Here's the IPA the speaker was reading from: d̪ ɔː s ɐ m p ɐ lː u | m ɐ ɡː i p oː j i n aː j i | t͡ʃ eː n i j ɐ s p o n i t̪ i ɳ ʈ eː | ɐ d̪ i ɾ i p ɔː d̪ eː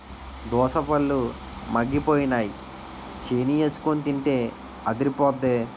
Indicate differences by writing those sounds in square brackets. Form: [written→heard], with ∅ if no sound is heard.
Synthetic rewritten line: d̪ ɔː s ɐ [m→∅] p ɐ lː u | m ɐ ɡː i p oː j i n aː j i | t͡ʃ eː n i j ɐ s [p→k] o n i t̪ i ɳ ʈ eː | ɐ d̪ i ɾ i p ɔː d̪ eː